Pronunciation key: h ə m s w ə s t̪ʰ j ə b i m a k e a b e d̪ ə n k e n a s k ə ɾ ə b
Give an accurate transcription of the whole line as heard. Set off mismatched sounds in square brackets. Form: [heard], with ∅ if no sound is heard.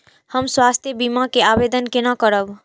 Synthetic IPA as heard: h ə m s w [a] s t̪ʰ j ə b i m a k e a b e d̪ ə n k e n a [∅] k ə ɾ ə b